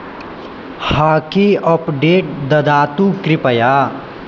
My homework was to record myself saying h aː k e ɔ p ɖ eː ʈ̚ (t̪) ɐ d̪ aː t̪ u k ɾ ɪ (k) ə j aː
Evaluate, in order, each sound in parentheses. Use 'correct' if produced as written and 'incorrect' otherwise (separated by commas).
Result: incorrect, incorrect